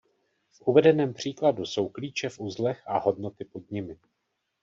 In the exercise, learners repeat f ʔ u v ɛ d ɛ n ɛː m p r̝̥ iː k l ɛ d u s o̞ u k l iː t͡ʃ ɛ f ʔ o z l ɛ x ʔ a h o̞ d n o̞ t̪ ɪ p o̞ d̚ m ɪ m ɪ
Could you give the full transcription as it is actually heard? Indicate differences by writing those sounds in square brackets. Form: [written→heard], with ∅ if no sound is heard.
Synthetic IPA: f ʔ u v ɛ d ɛ n ɛː m p r̝̥ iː k l [ɛ→a] d u s o̞ [u→w] k l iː t͡ʃ ɛ f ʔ [o→u] z l ɛ x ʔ a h o̞ d n o̞ t̪ ɪ p o̞ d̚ [m→ɲ] ɪ m ɪ